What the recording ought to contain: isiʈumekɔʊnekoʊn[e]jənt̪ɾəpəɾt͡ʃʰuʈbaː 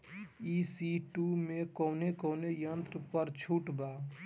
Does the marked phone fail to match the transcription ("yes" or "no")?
no